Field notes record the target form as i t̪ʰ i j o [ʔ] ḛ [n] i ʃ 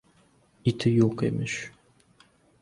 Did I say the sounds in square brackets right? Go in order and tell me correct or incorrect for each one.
incorrect, incorrect

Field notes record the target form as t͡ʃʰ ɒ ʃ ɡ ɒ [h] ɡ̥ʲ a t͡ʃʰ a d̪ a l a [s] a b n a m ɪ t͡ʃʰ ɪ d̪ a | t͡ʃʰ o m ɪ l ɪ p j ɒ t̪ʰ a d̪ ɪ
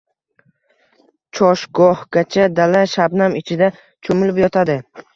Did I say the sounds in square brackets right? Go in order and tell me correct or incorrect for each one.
correct, incorrect

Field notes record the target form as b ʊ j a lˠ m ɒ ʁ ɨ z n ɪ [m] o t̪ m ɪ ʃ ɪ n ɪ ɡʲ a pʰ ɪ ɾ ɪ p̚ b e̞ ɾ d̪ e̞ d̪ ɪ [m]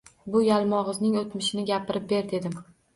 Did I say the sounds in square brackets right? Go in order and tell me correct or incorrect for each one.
incorrect, correct

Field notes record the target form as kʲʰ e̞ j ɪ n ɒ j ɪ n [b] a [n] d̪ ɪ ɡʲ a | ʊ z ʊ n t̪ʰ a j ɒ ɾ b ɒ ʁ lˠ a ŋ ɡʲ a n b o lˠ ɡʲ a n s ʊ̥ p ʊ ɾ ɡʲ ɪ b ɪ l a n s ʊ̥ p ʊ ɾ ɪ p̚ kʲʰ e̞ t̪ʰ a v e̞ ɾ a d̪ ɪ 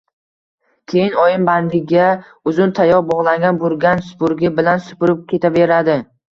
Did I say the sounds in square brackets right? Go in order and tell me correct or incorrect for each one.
correct, correct

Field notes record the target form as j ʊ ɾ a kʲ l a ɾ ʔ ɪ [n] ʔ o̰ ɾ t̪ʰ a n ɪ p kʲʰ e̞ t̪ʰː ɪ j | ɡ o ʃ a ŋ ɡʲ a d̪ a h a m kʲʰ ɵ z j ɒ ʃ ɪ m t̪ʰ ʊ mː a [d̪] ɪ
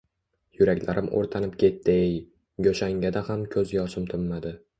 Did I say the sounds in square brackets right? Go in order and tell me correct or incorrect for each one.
incorrect, correct

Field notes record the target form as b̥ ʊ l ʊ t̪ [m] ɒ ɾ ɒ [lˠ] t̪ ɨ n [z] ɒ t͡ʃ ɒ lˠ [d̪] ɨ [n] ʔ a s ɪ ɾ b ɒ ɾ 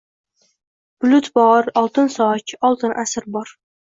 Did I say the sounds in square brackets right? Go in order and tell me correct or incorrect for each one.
incorrect, correct, incorrect, incorrect, correct

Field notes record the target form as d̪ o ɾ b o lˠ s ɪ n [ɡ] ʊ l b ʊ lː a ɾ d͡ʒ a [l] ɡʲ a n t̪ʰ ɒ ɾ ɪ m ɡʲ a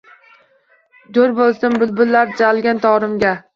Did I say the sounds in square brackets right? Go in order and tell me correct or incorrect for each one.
incorrect, correct

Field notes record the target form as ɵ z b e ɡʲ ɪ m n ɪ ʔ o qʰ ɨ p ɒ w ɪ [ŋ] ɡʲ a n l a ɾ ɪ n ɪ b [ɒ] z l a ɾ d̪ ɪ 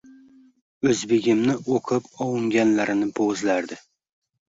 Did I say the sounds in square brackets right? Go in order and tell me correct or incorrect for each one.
correct, incorrect

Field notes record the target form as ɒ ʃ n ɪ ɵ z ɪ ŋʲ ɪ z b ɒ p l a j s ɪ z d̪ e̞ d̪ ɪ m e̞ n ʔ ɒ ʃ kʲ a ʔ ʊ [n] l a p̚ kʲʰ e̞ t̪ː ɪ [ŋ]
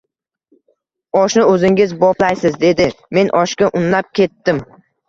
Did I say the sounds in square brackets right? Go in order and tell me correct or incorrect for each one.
correct, incorrect

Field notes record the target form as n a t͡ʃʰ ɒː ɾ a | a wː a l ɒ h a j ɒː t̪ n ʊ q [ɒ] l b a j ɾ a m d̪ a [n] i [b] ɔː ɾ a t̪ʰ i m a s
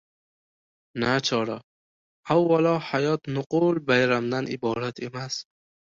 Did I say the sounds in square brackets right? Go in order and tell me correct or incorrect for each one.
incorrect, correct, correct

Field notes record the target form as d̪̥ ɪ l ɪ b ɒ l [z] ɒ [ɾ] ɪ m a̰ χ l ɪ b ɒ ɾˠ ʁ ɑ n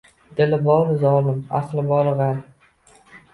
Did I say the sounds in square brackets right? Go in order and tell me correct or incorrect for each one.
correct, incorrect

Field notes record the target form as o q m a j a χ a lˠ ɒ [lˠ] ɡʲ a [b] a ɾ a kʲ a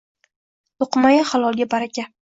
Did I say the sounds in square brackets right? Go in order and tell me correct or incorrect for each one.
correct, correct

